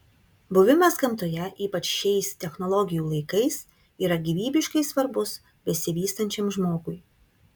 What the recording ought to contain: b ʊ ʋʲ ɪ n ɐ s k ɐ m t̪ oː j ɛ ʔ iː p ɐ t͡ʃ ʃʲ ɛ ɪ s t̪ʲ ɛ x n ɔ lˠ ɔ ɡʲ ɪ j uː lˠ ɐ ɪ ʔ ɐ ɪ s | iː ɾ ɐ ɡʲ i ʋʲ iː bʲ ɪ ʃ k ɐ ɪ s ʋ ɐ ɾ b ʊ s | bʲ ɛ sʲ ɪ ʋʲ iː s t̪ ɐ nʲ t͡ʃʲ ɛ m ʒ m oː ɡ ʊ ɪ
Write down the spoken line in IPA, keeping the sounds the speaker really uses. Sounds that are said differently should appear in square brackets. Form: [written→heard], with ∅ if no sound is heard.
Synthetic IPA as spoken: b ʊ ʋʲ ɪ [n→m] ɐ s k ɐ m t̪ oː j ɛ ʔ iː p ɐ t͡ʃ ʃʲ ɛ ɪ s t̪ʲ ɛ x n ɔ lˠ ɔ ɡʲ ɪ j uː lˠ ɐ ɪ [ʔ→k] ɐ ɪ s | iː ɾ ɐ ɡʲ i ʋʲ iː bʲ ɪ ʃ k ɐ ɪ s ʋ ɐ ɾ b ʊ s | bʲ ɛ sʲ ɪ ʋʲ iː s t̪ ɐ nʲ t͡ʃʲ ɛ m ʒ m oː ɡ ʊ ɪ

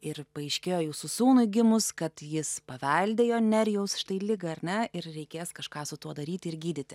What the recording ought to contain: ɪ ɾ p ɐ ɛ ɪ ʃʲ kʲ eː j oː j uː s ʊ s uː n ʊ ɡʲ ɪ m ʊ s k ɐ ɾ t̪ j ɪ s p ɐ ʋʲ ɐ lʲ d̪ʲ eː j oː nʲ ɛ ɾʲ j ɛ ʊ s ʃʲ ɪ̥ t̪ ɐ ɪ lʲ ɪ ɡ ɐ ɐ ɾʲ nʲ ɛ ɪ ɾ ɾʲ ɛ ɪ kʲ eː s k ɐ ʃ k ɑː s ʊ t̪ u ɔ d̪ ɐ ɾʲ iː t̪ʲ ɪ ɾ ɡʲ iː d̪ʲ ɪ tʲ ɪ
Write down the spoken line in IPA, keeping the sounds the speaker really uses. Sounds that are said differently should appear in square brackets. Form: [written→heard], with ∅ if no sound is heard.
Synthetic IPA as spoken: ɪ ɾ p ɐ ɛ ɪ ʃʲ kʲ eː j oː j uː s ʊ s uː n ʊ ɡʲ ɪ m ʊ s k ɐ [ɾ→∅] t̪ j ɪ s p ɐ ʋʲ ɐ lʲ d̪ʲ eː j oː nʲ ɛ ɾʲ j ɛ ʊ s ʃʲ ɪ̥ t̪ ɐ ɪ lʲ ɪ ɡ ɐ ɐ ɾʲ nʲ ɛ ɪ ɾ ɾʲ ɛ ɪ kʲ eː s k ɐ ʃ k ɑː s ʊ t̪ u ɔ d̪ ɐ ɾʲ iː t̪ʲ ɪ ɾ ɡʲ iː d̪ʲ ɪ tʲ ɪ

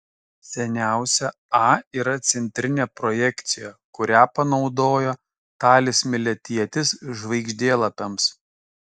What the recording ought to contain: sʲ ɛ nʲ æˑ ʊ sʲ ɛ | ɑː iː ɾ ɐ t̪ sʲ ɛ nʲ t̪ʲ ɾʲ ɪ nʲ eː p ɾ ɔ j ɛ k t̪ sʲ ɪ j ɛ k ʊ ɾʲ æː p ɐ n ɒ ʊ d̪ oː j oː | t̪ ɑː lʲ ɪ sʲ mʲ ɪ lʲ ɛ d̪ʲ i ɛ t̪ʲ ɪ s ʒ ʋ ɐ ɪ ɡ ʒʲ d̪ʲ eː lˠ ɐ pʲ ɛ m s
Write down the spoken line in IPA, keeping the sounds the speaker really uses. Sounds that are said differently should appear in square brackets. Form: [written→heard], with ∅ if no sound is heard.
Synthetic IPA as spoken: sʲ ɛ nʲ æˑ ʊ sʲ ɛ | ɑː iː ɾ ɐ t̪ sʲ ɛ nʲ t̪ʲ ɾʲ ɪ nʲ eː p ɾ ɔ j ɛ k t̪ sʲ ɪ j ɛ k ʊ ɾʲ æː p ɐ n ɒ ʊ d̪ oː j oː | t̪ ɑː lʲ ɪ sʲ mʲ ɪ lʲ ɛ [d̪ʲ→t̪ʲ] i ɛ t̪ʲ ɪ s ʒ ʋ ɐ ɪ ɡ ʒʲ d̪ʲ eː lˠ ɐ pʲ ɛ m s

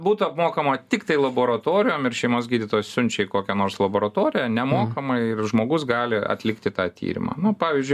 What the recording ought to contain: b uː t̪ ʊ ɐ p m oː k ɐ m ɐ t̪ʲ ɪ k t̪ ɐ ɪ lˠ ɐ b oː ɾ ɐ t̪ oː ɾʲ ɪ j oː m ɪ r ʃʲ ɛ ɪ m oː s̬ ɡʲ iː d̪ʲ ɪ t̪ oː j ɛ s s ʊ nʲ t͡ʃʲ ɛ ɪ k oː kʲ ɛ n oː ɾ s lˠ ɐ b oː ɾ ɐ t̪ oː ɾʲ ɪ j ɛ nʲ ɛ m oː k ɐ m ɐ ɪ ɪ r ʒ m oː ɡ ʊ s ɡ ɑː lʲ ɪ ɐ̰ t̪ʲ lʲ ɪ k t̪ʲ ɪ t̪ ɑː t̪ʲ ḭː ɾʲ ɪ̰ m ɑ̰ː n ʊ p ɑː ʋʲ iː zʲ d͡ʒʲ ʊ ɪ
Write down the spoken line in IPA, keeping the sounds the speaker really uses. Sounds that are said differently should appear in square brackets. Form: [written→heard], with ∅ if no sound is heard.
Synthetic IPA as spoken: b uː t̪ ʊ ɐ p m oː k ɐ m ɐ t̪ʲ ɪ k t̪ ɐ ɪ lˠ ɐ b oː ɾ ɐ t̪ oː ɾʲ ɪ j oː m ɪ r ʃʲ ɛ ɪ m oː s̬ ɡʲ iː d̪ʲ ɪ t̪ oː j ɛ s s ʊ nʲ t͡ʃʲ ɛ ɪ k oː kʲ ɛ n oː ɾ s lˠ ɐ b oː ɾ ɐ t̪ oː ɾʲ ɪ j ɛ nʲ ɛ m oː k ɐ m ɐ ɪ ɪ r ʒ m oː ɡ ʊ s ɡ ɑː lʲ ɪ ɐ̰ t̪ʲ lʲ ɪ k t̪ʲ ɪ t̪ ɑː t̪ʲ ḭː ɾʲ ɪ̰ m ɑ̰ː n ʊ p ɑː ʋʲ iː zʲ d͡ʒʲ ʊ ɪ

